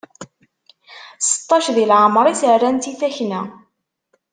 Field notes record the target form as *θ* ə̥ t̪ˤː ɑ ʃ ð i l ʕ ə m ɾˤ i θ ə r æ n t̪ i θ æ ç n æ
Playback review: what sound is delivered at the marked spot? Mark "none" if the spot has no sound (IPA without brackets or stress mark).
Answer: s